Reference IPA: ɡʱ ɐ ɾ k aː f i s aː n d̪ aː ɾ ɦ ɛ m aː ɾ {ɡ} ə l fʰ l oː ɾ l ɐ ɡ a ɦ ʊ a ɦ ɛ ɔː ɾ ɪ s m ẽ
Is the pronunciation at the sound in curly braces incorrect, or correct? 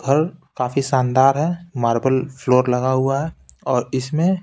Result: incorrect